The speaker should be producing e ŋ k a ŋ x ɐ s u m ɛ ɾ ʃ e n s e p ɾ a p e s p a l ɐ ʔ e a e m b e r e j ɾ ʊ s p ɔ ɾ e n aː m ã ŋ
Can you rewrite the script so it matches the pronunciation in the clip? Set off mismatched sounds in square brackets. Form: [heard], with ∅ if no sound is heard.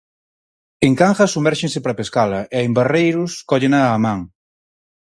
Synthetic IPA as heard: e ŋ k a ŋ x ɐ s u m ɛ ɾ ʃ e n s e p ɾ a p e s [k] a l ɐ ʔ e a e m b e r e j ɾ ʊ s [k] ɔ [ʎ] e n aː m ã ŋ